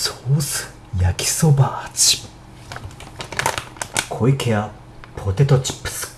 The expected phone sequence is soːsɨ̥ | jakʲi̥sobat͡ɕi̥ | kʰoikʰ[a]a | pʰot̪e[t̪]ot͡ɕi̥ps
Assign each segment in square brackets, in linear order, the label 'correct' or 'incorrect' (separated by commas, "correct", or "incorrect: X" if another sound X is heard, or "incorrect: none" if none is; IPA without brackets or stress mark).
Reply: incorrect: e, correct